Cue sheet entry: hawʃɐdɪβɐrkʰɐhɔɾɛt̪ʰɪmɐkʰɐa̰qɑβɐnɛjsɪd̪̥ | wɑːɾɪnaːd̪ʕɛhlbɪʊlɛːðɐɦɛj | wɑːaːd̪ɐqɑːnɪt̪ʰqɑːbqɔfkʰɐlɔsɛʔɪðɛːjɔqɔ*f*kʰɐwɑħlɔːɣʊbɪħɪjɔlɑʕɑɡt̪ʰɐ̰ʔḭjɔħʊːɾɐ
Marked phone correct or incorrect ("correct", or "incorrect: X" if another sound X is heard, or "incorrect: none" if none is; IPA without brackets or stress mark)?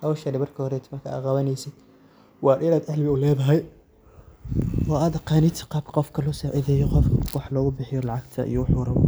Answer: correct